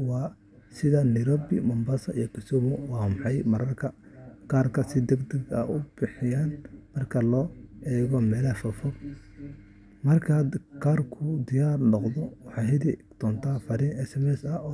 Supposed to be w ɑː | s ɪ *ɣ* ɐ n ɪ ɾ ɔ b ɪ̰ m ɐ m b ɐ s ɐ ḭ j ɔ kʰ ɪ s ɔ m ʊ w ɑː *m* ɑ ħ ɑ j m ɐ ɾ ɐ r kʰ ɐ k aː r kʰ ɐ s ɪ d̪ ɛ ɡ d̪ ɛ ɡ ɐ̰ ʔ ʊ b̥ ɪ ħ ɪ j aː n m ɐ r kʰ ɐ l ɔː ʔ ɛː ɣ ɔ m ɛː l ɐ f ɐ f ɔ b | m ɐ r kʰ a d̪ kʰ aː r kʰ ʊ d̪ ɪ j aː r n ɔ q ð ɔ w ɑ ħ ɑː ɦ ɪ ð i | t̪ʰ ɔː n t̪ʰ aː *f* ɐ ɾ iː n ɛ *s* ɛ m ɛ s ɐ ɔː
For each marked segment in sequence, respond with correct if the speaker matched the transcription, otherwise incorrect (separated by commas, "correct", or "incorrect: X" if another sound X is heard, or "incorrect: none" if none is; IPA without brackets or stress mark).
incorrect: ð, correct, correct, correct